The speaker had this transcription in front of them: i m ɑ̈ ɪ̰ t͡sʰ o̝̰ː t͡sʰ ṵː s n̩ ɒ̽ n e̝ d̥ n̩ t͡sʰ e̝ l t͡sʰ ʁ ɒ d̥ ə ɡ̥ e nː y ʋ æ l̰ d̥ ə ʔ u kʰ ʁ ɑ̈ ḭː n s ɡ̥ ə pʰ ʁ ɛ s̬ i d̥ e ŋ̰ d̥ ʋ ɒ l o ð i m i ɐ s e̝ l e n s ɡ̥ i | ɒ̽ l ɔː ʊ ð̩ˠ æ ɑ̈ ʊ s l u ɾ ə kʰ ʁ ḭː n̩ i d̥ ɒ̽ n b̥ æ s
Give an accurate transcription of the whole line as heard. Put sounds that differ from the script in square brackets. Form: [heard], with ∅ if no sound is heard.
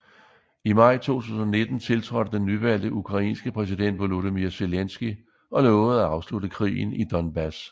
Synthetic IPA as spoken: i m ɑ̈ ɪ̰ t͡sʰ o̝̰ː t͡sʰ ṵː s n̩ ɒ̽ n e̝ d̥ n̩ t͡sʰ e̝ l t͡sʰ ʁ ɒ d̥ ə [d̥] e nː y ʋ æ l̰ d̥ ə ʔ u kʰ ʁ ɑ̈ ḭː n s ɡ̥ ə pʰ ʁ ɛ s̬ i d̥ e [n̰] d̥ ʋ [o] l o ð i m i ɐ s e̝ l e n s ɡ̥ i | ɒ̽ l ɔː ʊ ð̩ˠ æ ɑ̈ ʊ s l u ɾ ə kʰ ʁ ḭː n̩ i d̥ ɒ̽ n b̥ æ s